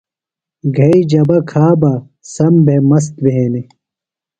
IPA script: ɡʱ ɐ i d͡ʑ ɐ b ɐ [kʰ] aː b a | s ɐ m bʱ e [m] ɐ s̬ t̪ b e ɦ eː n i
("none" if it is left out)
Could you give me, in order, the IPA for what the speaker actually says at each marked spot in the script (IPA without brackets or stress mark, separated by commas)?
kʰ, m